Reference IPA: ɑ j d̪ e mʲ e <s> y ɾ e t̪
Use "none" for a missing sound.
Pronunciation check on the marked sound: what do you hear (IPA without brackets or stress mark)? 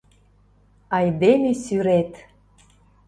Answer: s